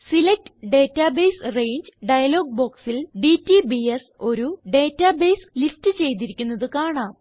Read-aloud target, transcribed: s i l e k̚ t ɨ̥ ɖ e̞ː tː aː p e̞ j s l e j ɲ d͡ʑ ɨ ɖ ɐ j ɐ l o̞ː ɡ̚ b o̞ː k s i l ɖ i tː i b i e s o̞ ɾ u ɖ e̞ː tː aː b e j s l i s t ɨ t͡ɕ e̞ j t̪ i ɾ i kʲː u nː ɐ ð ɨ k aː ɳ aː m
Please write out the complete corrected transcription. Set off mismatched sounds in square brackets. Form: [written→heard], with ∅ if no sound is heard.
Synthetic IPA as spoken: s i l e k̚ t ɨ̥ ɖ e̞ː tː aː [p→b] e̞ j s [l→r] e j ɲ d͡ʑ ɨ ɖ ɐ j ɐ l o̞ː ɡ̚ b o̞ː k s i l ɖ i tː i b i e s o̞ ɾ u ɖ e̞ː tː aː b e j s l i s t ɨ t͡ɕ e̞ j t̪ i ɾ i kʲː u nː ɐ ð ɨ k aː ɳ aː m